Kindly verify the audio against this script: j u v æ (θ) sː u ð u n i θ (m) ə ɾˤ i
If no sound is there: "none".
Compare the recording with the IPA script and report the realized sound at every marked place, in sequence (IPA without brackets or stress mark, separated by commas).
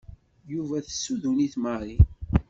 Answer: θ, m